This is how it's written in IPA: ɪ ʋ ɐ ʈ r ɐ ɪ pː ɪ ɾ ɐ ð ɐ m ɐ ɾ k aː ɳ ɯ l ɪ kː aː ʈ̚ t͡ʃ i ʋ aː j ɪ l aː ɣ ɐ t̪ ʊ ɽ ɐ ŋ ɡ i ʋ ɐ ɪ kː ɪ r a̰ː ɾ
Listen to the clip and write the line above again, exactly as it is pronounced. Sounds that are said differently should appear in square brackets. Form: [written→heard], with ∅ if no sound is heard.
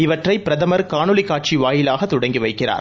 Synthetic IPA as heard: ɪ ʋ ɐ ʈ r ɐ ɪ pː ɪ ɾ ɐ ð ɐ m ɐ ɾ k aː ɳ ɯ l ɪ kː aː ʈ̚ t͡ʃ i ʋ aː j ɪ l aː ɣ ɐ t̪ ʊ ɽ ɐ ŋ ɡ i ʋ ɐ ɪ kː ɪ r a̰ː ɾ